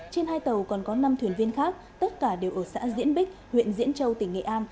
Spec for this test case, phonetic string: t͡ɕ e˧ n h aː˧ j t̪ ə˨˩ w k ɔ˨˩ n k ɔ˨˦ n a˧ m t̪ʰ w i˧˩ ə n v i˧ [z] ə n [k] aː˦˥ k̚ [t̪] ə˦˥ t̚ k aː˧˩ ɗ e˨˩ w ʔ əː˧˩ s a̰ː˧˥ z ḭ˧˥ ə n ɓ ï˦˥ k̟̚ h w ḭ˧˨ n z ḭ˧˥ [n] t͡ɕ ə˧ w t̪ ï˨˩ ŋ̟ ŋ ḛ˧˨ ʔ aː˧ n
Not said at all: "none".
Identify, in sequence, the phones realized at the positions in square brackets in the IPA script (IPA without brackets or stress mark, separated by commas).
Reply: none, x, t̪, n